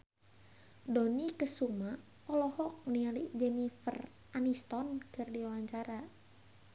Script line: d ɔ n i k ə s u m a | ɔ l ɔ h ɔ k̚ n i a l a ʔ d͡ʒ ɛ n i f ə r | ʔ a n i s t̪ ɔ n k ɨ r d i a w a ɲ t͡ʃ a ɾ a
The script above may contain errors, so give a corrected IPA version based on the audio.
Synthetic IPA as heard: d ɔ n i k ə s u m a | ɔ l ɔ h ɔ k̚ n i a l i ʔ d͡ʒ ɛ n i f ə r | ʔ a n i s t̪ ɔ n k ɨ r d i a w a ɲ t͡ʃ a ɾ a